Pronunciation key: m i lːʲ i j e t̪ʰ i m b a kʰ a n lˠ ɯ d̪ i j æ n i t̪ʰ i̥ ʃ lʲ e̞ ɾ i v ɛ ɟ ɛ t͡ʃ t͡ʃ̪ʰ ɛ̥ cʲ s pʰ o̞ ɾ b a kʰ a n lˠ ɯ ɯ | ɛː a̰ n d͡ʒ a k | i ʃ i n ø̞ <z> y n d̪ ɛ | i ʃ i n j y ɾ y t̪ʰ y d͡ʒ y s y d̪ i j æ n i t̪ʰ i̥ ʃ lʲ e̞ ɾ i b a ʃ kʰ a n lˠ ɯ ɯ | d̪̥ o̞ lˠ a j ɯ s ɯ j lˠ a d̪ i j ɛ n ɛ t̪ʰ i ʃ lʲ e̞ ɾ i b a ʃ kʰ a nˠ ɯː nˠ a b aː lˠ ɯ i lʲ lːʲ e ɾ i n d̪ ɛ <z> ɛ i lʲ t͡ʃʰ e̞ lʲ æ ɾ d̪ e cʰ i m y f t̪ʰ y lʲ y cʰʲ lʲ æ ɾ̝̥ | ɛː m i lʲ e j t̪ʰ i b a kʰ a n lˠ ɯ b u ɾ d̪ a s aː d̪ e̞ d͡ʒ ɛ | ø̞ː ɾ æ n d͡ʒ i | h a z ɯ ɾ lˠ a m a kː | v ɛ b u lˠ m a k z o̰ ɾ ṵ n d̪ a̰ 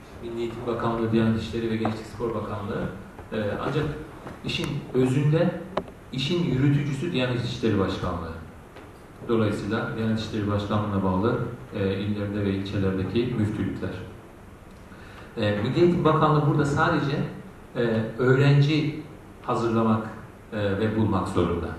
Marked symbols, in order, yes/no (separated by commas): yes, no